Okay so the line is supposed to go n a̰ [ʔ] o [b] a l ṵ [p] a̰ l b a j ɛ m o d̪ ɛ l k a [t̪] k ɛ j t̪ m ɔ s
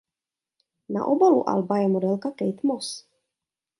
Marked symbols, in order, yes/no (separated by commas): yes, yes, no, no